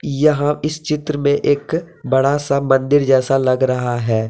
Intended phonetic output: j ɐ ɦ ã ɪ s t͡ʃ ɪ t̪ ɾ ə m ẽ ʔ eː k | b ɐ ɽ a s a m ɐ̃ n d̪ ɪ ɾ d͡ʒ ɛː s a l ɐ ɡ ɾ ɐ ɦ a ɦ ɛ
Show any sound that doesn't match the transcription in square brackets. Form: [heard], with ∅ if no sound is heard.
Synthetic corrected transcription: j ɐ ɦ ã ɪ s t͡ʃ ɪ t̪ ɾ ə m ẽ ʔ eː k | b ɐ ɽ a s a m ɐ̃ n d̪ ɪ ɾ d͡ʒ ɛː s a l ɐ ɡ ɾ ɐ ɦ a ɦ [ɛː]